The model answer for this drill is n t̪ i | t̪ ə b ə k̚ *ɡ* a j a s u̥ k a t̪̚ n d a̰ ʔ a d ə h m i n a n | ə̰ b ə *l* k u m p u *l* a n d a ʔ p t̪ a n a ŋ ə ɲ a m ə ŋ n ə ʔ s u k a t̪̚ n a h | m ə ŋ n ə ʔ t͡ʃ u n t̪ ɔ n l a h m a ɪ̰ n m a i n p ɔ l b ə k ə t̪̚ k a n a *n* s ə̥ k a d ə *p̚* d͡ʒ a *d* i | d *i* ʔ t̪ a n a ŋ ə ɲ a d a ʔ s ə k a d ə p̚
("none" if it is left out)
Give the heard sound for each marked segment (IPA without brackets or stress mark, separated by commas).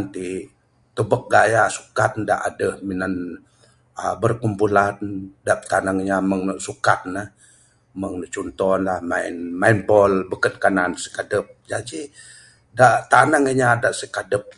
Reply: ɡ, r, l, n, p̚, d͡ʒ, a